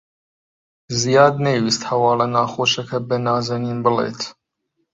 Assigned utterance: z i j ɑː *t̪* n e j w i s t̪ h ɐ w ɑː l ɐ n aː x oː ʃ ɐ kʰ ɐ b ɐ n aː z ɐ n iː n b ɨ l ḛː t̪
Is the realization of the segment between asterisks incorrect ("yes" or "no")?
yes